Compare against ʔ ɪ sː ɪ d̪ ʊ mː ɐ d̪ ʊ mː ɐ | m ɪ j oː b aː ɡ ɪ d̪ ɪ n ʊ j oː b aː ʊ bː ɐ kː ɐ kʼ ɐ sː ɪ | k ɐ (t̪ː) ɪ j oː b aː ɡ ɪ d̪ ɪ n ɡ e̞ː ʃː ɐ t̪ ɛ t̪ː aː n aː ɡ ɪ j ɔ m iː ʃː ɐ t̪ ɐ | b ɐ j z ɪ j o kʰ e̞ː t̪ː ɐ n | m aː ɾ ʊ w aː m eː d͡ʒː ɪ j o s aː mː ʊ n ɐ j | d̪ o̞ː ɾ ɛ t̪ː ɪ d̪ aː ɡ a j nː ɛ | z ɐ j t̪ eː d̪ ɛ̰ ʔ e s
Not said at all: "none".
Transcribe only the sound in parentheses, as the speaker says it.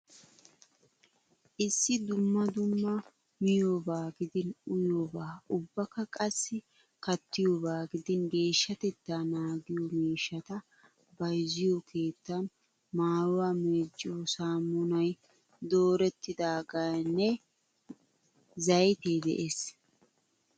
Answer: t̪ː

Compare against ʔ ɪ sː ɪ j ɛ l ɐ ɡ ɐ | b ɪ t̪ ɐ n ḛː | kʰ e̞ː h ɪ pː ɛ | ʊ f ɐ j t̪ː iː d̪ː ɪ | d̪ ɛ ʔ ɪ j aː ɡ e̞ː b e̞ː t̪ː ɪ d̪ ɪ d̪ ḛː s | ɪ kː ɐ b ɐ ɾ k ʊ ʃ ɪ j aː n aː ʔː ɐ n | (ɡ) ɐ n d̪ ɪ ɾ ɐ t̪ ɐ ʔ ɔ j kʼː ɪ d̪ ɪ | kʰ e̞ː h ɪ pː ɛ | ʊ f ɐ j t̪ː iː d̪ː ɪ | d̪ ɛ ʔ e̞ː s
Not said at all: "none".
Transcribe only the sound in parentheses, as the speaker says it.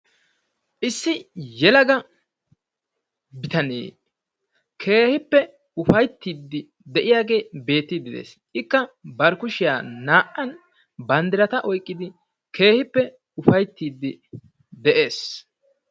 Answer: b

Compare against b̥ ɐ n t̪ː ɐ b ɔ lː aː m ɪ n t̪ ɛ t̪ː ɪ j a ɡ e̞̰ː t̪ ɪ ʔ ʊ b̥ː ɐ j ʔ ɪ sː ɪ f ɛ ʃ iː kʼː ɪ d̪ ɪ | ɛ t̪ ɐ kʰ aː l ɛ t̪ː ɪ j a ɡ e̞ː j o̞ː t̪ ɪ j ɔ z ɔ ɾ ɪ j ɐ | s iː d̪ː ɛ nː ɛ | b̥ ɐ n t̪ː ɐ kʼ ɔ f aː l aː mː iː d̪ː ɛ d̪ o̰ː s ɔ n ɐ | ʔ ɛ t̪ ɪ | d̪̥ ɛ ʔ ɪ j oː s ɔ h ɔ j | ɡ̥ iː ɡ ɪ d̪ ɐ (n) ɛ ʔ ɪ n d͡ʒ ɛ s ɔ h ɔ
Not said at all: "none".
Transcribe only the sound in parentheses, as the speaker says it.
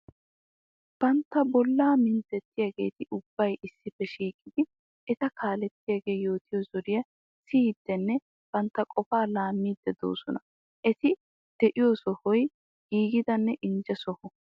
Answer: nː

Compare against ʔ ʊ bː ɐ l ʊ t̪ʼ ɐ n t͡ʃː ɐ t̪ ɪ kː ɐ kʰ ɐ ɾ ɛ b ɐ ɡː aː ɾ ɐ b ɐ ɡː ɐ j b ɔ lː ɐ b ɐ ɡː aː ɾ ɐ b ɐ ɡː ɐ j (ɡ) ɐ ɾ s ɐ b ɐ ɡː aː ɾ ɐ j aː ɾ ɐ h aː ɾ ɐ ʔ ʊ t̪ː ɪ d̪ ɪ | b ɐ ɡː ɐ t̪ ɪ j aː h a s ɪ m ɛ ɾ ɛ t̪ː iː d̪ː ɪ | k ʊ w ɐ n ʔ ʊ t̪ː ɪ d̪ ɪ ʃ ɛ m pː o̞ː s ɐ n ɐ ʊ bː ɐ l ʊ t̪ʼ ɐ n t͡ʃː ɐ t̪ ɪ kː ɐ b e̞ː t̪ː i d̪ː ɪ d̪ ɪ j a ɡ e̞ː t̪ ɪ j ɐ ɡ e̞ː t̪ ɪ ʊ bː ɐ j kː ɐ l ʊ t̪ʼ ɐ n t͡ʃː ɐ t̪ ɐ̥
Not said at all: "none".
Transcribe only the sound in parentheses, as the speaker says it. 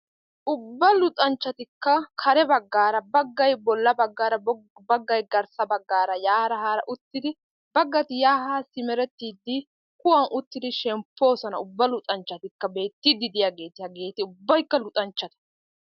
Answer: ɡ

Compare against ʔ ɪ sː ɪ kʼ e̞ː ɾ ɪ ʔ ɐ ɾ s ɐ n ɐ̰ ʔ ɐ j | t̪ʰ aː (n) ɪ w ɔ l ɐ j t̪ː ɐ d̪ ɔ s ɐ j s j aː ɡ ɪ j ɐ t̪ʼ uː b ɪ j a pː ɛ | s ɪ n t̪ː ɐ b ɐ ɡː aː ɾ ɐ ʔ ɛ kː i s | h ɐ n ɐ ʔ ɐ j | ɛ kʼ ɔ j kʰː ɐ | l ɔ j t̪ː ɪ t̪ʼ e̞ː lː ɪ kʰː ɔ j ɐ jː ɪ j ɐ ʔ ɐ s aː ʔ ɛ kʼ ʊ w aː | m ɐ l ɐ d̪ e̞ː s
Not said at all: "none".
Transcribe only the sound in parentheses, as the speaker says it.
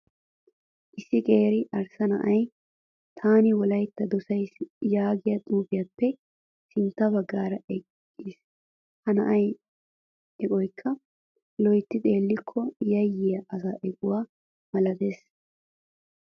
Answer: n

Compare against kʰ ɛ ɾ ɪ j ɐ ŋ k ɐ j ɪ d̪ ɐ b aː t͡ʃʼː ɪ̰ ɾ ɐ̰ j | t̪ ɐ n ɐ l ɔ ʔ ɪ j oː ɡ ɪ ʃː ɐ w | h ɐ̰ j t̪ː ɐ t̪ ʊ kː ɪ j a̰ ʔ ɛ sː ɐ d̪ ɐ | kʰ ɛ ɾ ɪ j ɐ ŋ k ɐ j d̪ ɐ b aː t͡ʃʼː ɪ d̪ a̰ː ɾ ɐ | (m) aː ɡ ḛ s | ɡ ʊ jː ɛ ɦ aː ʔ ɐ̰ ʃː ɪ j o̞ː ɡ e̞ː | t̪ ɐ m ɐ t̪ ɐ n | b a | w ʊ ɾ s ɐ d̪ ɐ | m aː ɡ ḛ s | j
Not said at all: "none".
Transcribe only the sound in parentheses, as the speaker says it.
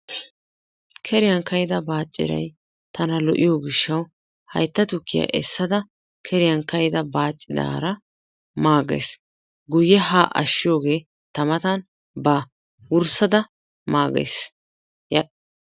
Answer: m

